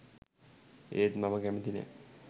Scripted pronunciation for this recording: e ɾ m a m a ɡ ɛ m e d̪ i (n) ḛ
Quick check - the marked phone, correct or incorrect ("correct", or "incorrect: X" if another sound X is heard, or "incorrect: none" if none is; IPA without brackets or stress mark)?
correct